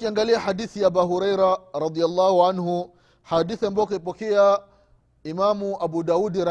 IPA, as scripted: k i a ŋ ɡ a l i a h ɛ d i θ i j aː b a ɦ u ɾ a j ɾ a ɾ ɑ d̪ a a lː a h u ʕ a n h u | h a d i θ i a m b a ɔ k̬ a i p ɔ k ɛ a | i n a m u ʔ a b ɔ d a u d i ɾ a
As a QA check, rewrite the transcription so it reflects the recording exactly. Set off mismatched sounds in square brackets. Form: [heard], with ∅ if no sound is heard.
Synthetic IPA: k i a ŋ ɡ a l i a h [a] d i θ i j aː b a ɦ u ɾ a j ɾ a ɾ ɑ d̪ [i] a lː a h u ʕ a n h u | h a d i θ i a m b a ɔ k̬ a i p ɔ k ɛ a | i [m] a m u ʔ a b [u] d a u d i ɾ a